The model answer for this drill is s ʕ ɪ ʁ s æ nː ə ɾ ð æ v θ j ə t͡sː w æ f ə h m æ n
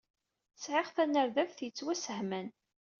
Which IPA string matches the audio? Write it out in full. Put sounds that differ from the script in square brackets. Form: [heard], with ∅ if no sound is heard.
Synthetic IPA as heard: s ʕ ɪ ʁ [θ] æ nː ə ɾ ð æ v θ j ə t͡sː w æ [s] ə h m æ n